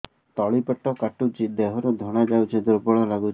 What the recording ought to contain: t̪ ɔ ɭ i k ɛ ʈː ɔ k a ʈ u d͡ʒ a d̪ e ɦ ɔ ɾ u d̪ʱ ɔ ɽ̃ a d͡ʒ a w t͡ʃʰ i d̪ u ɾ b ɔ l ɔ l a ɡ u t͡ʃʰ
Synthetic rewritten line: t̪ ɔ ɭ i p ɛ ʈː ɔ k a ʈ u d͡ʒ i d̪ e ɦ ɔ ɾ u d̪ʱ ɔ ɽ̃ a d͡ʒ a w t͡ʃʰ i d̪ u ɾ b ɔ ɭ ɔ l a ɡ u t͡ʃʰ